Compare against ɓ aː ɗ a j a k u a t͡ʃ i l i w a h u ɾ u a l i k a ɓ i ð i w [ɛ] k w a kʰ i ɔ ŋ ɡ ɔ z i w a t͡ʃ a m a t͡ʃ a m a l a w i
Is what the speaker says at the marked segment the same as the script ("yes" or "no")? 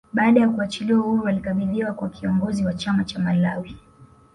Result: no